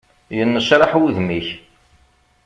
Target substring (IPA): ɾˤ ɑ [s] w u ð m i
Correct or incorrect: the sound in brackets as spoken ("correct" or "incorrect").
incorrect